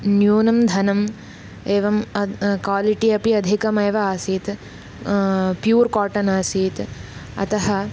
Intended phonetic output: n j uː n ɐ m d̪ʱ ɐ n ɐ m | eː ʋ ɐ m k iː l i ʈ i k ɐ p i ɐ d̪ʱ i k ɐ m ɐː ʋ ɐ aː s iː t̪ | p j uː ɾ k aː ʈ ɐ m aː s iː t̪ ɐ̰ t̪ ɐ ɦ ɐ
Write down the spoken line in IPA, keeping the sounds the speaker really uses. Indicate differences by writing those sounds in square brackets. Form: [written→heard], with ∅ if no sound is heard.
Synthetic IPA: n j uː n ɐ m d̪ʱ ɐ n ɐ m | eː ʋ ɐ m k [iː→aː] l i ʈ i [k→∅] ɐ p i ɐ d̪ʱ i k ɐ m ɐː ʋ ɐ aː s iː t̪ | p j uː ɾ k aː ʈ ɐ [m→n] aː s iː t̪ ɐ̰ t̪ ɐ ɦ ɐ